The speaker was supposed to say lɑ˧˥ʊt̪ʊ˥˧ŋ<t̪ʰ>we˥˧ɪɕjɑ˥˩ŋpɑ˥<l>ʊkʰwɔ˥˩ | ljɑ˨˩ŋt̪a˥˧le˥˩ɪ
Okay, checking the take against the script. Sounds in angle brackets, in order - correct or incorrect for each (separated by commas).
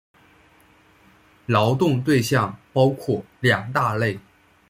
incorrect, incorrect